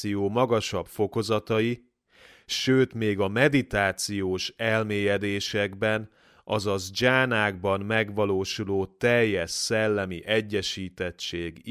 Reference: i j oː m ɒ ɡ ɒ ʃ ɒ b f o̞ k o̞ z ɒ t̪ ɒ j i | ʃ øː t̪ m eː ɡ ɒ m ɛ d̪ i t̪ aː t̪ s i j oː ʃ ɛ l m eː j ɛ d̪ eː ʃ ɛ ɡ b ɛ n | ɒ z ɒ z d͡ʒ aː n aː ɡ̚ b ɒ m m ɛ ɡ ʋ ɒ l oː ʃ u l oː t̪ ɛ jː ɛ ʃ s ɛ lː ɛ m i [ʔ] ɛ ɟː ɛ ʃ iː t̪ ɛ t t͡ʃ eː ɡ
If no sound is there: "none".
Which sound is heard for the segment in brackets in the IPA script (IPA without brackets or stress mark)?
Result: ʔ